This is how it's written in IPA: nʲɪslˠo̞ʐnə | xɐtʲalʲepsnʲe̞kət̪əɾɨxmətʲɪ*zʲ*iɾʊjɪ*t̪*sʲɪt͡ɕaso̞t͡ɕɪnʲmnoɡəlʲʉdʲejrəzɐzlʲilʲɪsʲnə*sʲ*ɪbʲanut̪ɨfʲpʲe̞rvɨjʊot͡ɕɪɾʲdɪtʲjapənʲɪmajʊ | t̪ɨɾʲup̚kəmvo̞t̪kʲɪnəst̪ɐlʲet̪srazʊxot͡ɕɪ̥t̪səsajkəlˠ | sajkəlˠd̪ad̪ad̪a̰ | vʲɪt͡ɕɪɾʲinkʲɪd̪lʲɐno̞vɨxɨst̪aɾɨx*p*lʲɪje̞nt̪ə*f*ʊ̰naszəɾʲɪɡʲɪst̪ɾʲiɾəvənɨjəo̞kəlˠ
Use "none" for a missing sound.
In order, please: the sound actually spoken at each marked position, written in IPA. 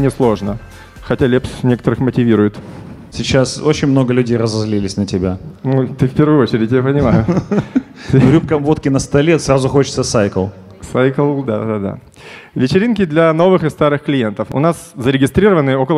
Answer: vʲ, t̪, tʲ, k, f

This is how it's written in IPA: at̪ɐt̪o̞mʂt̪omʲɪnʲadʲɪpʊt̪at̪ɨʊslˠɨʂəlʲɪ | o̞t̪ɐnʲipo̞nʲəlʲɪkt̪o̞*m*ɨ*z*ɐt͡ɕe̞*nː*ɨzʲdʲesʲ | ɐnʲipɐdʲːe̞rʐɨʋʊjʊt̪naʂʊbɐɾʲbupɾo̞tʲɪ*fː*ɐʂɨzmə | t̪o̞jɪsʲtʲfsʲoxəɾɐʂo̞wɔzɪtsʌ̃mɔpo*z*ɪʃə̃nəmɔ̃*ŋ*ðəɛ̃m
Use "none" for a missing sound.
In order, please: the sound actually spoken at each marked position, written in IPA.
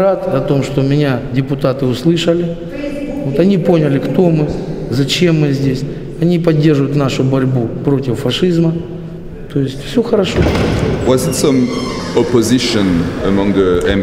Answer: m, z, mː, fː, z, ŋ

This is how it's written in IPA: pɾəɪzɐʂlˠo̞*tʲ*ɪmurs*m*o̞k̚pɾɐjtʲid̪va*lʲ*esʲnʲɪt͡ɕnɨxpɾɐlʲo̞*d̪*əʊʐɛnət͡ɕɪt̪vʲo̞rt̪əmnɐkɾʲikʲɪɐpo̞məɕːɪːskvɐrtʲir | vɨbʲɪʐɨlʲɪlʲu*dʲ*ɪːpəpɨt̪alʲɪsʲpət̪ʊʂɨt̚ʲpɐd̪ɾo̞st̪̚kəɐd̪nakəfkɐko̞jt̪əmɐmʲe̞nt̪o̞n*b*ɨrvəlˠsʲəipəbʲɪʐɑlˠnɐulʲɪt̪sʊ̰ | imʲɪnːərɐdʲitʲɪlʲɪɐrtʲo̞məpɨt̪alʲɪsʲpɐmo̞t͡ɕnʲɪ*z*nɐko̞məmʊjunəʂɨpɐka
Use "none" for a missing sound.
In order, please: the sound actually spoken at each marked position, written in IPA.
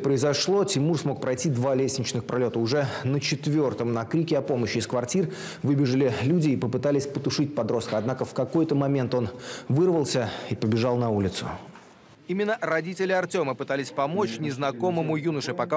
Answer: tʲ, m, lʲ, t̪, dʲ, v, z

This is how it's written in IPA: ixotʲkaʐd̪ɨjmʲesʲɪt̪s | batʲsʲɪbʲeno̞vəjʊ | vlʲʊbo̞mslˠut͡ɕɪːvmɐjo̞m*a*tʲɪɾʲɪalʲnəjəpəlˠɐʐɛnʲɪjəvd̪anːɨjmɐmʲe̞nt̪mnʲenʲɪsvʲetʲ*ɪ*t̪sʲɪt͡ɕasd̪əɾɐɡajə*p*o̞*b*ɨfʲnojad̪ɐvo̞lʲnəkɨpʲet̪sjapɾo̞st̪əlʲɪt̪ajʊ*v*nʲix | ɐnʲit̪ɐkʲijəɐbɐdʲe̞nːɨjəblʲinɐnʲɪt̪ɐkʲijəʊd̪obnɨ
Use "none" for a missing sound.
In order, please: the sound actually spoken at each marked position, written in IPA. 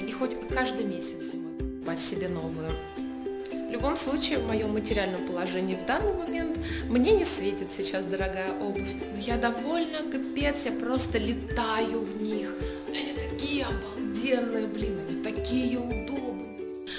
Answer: ə, ɪ, ʔ, b, v

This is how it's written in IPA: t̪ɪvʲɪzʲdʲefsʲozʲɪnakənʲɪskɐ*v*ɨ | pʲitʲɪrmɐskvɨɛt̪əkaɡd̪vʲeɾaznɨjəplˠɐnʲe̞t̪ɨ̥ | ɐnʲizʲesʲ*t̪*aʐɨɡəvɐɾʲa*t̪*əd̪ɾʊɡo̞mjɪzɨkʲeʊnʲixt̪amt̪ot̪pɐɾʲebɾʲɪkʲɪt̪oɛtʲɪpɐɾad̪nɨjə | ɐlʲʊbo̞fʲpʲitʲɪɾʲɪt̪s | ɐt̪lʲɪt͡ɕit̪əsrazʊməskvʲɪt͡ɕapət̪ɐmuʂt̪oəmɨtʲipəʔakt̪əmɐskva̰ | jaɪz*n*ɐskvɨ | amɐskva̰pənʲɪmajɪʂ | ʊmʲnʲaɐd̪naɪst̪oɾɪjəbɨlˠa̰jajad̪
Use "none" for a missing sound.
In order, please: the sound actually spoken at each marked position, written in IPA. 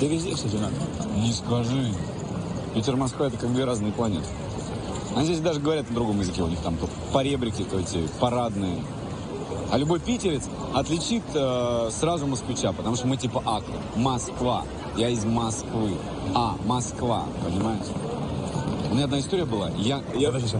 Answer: ʐ, d̪, t̪, m

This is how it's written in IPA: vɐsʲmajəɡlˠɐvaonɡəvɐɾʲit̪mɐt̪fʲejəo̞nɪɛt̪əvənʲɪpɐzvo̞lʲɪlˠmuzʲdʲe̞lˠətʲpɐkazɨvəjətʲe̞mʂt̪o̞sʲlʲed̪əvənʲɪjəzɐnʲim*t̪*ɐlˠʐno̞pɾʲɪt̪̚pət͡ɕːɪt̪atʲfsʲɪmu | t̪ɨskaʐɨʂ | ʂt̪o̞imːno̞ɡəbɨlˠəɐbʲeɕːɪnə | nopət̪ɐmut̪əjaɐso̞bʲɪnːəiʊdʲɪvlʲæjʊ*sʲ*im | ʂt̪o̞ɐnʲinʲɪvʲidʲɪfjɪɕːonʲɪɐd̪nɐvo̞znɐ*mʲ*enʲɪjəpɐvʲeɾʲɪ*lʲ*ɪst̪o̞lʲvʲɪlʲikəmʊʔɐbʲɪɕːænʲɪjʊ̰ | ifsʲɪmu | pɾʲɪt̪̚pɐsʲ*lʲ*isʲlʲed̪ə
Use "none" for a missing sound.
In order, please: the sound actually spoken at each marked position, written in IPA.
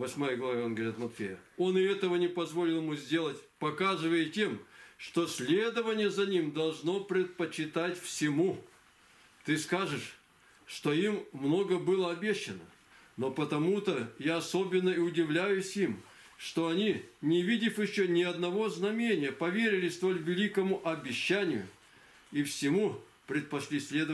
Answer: d̪, sʲ, mʲ, lʲ, lʲ

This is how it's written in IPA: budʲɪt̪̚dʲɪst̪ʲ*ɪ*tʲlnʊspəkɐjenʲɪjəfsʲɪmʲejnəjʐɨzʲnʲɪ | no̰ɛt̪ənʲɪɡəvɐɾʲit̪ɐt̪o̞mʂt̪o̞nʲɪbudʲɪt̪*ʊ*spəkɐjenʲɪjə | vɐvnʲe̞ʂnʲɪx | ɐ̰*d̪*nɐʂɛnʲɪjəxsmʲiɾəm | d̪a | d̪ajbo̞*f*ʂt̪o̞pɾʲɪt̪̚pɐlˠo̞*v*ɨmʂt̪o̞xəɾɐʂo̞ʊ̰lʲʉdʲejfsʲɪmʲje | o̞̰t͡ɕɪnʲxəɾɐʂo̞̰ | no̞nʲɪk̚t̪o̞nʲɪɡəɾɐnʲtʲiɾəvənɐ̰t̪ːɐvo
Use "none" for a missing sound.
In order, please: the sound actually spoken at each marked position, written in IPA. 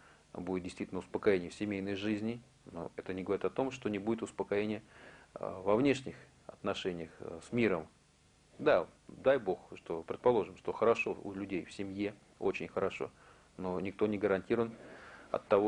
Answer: i, ʊ, t̪, x, ʐ

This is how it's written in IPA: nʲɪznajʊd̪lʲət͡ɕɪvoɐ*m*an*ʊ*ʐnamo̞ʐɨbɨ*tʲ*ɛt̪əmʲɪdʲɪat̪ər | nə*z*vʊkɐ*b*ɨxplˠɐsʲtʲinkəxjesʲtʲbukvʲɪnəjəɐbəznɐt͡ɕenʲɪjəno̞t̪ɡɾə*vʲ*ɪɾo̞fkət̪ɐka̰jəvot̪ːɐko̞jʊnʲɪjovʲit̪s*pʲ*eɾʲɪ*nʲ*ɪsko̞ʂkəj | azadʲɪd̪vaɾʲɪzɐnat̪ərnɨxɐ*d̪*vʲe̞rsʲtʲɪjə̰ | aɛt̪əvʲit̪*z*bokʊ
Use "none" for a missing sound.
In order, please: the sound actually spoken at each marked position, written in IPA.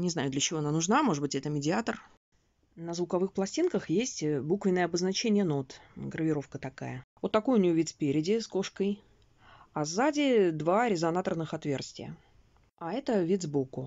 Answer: n, ʊ, tʲ, z, v, vʲ, pʲ, dʲ, t̪, z

